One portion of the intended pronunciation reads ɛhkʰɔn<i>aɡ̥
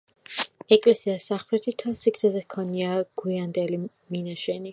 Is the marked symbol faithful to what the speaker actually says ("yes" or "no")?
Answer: yes